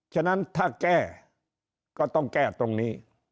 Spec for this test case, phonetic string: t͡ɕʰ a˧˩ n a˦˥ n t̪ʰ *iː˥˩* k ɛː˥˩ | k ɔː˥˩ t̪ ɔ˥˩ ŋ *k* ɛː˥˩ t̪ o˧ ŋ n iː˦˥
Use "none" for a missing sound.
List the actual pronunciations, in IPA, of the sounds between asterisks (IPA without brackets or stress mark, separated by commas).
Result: aː˥˩, k